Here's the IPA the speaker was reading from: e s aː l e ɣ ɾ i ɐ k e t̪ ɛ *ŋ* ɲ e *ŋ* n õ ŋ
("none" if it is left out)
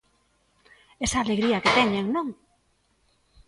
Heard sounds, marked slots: none, ŋ

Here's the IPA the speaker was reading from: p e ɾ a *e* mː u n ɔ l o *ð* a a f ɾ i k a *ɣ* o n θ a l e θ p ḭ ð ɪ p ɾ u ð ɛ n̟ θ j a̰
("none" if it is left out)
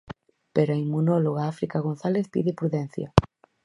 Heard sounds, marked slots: i, ɣ, ɣ

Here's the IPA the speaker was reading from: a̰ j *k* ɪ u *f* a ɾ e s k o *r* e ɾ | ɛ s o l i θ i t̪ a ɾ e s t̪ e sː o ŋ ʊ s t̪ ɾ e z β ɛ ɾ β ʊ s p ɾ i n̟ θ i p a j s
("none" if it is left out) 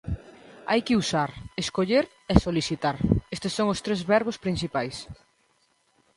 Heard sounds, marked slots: k, s, ʎ

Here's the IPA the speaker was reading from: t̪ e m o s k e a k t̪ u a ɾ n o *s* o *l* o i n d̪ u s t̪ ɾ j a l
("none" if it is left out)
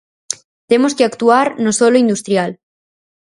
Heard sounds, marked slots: s, l

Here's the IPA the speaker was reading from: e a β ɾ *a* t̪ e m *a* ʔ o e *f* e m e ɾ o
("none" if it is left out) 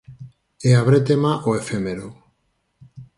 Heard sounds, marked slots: e, a, f

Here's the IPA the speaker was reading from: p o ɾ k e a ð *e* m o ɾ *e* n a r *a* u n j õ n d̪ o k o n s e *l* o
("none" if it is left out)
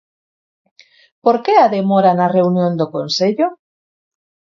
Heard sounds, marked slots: e, a, e, ʎ

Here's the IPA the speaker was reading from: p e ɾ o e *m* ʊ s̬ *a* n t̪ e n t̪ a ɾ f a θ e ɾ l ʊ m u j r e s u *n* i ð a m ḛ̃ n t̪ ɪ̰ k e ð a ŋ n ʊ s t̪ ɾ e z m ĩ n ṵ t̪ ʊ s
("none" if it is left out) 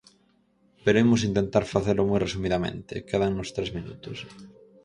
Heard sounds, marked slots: m, i, m

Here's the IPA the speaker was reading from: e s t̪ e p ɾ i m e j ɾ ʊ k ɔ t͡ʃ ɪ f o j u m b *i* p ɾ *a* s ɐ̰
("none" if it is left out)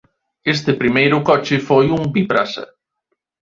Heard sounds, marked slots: i, a

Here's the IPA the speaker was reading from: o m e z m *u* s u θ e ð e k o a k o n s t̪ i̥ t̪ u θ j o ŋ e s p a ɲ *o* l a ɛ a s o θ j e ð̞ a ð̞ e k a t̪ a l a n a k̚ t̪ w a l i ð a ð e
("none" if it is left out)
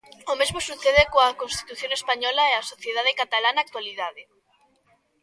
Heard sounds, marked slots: o, ɔ

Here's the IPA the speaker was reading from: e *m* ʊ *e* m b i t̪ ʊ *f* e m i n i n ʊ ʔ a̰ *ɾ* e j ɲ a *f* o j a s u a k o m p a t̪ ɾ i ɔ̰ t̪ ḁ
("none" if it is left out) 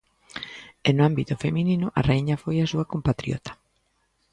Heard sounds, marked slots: n, a, f, r, f

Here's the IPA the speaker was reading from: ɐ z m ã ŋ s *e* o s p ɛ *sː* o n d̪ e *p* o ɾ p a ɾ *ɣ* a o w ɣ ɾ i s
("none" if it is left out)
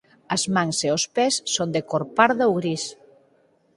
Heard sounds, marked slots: e, sː, k, ð

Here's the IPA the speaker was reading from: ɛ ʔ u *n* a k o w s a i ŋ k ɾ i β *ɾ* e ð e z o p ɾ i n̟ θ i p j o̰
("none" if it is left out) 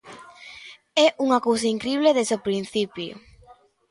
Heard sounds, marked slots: ŋ, l

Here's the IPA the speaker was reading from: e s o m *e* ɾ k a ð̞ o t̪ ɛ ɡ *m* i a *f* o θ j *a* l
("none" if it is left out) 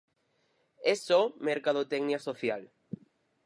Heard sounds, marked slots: e, n, s, a

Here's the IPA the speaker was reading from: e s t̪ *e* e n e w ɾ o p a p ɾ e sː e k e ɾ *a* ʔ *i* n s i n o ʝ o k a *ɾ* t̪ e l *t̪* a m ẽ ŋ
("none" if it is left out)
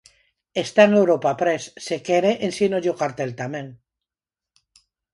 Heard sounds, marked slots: a, e, e, ɾ, t̪

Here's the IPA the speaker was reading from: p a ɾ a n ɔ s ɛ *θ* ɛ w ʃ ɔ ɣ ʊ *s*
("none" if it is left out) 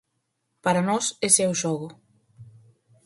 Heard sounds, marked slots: s, none

